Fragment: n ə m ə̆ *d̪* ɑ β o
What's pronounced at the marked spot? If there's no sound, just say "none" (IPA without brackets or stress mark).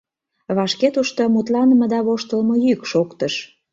d̪